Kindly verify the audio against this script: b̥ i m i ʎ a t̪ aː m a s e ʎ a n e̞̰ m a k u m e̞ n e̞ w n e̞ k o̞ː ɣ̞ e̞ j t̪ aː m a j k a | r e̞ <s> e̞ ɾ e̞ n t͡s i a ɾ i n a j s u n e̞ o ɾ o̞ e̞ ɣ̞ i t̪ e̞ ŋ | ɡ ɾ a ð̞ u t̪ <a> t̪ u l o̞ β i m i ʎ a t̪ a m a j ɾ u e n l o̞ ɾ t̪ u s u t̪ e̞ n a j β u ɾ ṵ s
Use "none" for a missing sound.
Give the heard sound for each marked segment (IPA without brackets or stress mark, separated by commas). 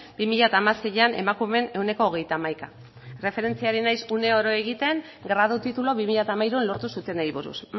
f, i